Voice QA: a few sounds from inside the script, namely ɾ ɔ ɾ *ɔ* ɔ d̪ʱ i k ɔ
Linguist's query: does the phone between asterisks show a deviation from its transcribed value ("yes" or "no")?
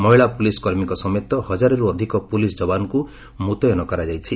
yes